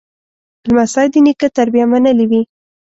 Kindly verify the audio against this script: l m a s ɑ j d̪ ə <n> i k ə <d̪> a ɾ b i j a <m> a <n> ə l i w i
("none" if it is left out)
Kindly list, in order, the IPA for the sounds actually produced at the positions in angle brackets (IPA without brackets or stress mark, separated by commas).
n, t̪, m, n